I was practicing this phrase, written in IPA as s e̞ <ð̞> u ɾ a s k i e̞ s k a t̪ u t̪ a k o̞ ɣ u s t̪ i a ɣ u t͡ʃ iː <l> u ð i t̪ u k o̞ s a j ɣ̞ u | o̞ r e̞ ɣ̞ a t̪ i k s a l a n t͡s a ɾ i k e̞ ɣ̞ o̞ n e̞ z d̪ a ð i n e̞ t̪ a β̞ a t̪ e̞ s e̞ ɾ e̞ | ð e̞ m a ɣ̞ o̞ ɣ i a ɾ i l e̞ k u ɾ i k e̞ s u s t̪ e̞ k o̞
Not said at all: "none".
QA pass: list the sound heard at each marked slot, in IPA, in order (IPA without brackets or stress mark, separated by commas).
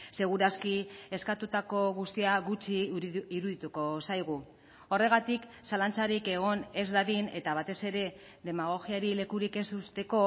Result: ɣ̞, ɾ